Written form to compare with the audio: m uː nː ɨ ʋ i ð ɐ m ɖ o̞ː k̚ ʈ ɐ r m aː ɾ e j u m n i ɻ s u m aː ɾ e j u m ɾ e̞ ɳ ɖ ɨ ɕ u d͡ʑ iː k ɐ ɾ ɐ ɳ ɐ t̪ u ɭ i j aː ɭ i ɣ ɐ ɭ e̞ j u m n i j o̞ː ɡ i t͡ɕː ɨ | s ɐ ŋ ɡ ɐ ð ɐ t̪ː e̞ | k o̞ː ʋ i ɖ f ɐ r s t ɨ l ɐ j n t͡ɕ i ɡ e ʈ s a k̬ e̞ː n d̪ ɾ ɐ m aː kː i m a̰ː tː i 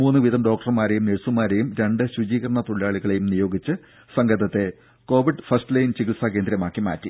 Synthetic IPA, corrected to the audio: m uː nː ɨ ʋ i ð ɐ m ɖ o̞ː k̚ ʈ ɐ r m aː ɾ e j u m n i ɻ s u m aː ɾ e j u m ɾ e̞ ɳ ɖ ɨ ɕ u d͡ʑ iː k ɐ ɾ ɐ ɳ ɐ t̪ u ɭ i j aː ɭ i ɣ ɐ ɭ e̞ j u m n i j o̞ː ɡ i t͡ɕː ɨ | s ɐ ŋ ɡ ɐ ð ɐ t̪ː e̞ | k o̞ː ʋ i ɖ f ɐ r s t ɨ l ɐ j n t͡ɕ i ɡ i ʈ s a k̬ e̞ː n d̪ ɾ ɐ m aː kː i m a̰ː tː i